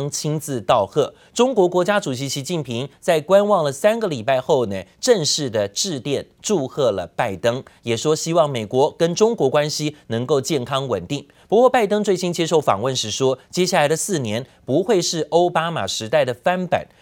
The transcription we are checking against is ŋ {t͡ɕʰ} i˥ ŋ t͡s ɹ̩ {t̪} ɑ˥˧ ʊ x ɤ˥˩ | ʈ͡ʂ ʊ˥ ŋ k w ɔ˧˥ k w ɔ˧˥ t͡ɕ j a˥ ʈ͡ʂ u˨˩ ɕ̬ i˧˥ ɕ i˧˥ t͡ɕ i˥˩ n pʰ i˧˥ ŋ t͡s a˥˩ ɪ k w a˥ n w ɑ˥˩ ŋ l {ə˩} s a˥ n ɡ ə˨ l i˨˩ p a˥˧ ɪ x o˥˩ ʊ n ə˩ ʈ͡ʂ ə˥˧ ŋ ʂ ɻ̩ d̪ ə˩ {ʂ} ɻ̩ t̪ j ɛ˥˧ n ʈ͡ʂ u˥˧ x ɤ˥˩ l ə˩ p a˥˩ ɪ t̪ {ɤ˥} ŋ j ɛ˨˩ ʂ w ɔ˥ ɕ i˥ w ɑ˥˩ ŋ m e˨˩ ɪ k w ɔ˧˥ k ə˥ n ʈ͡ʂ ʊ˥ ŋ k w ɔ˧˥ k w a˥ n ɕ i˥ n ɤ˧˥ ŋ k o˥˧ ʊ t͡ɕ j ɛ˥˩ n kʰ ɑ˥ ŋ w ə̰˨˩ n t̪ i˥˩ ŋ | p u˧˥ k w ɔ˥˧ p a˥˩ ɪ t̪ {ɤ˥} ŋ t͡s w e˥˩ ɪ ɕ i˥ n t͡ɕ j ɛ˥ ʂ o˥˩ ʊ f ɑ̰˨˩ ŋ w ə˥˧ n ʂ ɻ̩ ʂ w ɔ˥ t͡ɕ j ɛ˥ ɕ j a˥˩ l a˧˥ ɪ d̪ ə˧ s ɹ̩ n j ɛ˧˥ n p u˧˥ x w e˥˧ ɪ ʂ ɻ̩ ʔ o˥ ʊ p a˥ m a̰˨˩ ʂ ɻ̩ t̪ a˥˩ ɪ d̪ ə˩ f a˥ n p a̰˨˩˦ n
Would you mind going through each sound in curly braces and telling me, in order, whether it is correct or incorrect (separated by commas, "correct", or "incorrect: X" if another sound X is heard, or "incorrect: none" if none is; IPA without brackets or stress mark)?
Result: correct, correct, correct, incorrect: ʈ͡ʂ, correct, correct